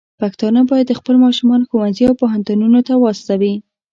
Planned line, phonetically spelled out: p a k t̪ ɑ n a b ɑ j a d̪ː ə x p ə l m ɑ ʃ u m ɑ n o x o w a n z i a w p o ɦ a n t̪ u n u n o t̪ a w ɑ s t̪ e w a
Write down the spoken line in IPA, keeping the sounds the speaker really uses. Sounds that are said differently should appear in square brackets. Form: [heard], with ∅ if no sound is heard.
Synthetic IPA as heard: p a k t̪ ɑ n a b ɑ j a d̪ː ə x p ə l m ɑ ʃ u m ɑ n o x o w a n z i a w p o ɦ a n t̪ u n u n o t̪ a w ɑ s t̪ [a] w [i]